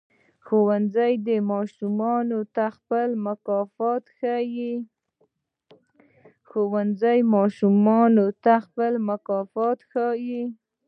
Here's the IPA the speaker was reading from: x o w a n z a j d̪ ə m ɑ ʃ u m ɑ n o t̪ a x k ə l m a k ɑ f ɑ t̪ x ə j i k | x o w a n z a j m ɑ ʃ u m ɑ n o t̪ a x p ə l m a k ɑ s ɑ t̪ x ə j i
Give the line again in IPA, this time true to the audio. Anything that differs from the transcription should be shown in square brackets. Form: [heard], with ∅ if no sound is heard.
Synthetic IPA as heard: x o w a n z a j d̪ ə m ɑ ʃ u m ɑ n o t̪ a x [p] ə l m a k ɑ f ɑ t̪ x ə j i [∅] | x o w a n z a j m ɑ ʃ u m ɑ n o t̪ a x p ə l m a k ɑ [f] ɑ t̪ x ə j i

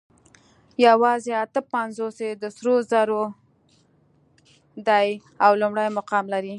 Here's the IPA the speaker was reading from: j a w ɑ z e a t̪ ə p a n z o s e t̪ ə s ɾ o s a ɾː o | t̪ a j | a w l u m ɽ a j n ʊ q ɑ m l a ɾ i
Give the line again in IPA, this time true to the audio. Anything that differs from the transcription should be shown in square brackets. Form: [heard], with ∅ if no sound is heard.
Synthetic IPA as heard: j a w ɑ z e a t̪ ə p a n z o s e [d̪] ə s ɾ o [z] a [ɾ] o | [d̪] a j | a w l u m ɽ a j [m] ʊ q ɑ m l a ɾ i

